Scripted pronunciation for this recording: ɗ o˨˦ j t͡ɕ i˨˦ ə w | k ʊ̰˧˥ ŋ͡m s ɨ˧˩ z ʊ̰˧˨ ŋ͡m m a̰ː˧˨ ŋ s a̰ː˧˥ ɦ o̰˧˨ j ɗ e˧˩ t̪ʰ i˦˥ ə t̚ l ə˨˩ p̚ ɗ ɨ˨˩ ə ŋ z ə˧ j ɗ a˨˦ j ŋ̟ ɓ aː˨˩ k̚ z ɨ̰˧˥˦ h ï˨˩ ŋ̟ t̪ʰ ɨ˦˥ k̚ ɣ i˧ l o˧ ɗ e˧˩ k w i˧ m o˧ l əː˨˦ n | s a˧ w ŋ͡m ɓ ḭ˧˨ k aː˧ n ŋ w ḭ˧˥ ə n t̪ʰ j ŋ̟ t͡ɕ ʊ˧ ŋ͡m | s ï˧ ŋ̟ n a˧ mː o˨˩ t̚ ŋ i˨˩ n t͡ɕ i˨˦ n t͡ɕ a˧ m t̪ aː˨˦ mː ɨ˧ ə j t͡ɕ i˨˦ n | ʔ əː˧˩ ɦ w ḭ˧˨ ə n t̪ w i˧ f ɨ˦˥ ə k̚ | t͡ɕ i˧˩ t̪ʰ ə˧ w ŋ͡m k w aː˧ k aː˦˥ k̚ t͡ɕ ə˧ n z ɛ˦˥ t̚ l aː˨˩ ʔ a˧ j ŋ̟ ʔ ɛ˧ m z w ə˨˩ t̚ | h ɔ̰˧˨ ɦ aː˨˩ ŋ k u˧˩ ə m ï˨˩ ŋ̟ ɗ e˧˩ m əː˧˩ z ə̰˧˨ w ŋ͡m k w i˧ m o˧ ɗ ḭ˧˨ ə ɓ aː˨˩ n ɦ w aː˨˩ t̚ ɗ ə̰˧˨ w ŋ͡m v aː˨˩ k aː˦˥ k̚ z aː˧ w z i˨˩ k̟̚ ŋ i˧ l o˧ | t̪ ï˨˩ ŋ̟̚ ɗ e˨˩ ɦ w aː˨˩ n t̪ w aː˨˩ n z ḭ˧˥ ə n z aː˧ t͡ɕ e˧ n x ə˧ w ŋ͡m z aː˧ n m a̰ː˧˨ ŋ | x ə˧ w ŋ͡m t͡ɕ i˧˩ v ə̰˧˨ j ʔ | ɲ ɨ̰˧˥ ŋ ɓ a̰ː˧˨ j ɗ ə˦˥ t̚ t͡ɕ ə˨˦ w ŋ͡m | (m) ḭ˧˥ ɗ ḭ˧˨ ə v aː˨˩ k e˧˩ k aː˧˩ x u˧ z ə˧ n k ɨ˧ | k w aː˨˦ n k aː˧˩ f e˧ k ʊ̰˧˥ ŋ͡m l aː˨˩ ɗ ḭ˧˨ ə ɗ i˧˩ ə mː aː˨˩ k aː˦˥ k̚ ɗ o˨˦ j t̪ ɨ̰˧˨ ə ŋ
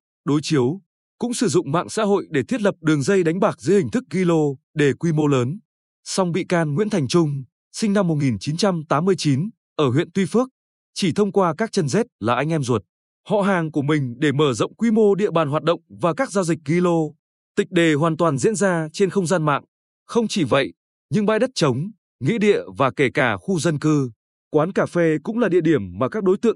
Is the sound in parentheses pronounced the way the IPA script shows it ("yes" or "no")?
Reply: no